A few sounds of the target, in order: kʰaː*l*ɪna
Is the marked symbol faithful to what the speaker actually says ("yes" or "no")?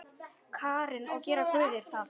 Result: no